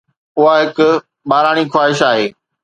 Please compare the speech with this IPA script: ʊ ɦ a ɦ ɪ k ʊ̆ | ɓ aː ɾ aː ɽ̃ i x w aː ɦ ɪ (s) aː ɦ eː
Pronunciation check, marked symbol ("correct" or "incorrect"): incorrect